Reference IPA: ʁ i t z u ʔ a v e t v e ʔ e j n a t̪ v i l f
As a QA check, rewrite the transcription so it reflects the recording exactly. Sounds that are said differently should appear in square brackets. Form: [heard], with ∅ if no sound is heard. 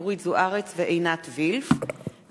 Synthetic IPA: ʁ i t z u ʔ a [ʁ] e [t͡s] v e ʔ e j n a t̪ v i l f